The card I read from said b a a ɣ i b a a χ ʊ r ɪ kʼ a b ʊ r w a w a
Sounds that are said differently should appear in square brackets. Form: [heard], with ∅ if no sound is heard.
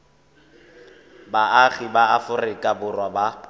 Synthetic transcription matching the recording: b a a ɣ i b a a [f] ʊ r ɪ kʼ a b ʊ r w a [b] a

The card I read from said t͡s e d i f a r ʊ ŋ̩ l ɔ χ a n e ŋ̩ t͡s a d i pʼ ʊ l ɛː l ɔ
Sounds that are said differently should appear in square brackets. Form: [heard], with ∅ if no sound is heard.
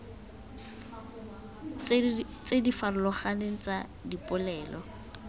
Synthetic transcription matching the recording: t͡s e d i f a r ʊ [∅] l ɔ χ a n e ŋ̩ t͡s a d i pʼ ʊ l ɛː l ɔ

